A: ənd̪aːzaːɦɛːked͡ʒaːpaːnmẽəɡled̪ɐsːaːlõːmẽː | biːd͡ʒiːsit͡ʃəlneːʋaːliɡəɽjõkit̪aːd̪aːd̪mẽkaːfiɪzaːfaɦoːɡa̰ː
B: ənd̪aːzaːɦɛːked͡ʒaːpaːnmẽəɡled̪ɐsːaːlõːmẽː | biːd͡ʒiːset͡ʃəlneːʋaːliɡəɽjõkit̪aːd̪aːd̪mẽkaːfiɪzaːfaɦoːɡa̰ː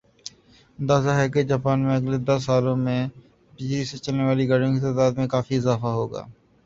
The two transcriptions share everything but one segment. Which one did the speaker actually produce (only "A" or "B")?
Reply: B